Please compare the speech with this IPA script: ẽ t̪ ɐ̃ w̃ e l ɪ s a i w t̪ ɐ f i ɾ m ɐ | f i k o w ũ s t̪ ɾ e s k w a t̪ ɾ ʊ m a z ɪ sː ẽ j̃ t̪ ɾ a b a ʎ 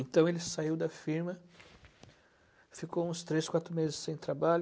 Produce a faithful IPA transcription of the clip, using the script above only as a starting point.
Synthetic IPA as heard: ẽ t̪ ɐ̃ w̃ e l ɪ s a i w d̪ ɐ f i ɾ m ɐ | f i k o w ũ s t̪ ɾ e s k w a t̪ ɾ ʊ m e z ɪ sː ẽ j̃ t̪ ɾ a b a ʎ